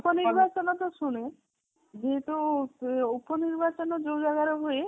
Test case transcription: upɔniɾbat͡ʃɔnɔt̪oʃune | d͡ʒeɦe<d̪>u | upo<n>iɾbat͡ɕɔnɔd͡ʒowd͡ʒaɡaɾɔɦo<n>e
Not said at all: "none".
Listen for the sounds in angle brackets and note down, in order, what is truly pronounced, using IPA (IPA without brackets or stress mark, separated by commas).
t̪, n, none